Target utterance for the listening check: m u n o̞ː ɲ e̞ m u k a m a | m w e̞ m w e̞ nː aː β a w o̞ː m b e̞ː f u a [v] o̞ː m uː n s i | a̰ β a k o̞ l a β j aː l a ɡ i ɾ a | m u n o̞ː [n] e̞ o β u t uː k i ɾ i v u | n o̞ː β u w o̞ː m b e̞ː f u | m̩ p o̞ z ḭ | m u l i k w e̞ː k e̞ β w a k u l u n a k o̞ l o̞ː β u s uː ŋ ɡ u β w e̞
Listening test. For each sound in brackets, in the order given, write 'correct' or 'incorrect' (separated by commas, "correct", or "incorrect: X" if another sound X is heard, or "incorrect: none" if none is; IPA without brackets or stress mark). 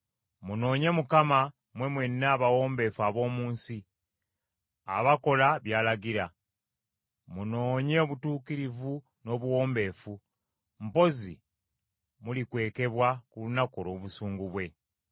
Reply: incorrect: β, incorrect: ɲ